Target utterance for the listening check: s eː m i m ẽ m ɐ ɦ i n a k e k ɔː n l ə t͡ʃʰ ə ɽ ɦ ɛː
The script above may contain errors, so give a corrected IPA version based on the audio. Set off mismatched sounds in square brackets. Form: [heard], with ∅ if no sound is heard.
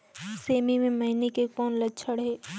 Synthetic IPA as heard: s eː m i m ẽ m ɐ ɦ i n [e] k e k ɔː n l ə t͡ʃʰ ə ɽ ɦ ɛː